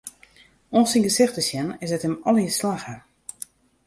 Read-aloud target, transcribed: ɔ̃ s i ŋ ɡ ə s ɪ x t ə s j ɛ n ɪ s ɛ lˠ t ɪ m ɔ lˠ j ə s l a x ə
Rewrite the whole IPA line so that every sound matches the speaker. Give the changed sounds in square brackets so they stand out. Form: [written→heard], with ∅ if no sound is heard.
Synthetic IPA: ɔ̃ s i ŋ ɡ ə s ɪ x t ə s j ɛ n ɪ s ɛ [lˠ→∅] t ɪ m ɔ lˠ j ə s l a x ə